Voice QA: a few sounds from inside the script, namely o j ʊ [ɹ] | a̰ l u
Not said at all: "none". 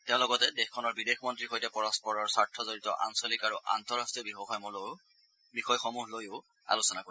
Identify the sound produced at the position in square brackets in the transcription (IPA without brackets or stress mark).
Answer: none